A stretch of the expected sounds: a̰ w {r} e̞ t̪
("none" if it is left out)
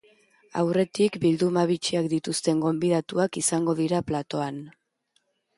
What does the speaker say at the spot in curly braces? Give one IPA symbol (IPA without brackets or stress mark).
r